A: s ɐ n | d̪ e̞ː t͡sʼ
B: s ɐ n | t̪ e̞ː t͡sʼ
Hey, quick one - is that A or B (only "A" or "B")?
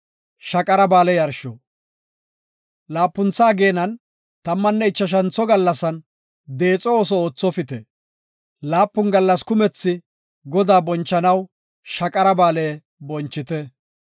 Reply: A